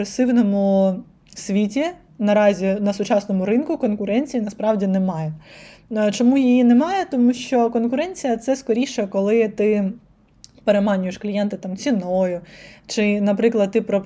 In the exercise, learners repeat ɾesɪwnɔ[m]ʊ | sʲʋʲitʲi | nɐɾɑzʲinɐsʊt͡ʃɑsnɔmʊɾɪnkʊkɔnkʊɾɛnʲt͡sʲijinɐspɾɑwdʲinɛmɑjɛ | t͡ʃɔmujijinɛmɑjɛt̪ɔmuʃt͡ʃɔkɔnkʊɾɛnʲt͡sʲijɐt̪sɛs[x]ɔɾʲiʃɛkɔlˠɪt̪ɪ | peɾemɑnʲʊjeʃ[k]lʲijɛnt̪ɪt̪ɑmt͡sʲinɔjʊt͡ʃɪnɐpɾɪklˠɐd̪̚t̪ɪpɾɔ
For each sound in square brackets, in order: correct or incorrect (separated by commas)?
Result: correct, incorrect, correct